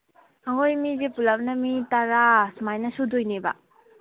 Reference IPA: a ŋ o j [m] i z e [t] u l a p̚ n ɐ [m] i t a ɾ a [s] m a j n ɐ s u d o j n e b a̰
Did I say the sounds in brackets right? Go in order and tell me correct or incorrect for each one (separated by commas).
correct, incorrect, correct, correct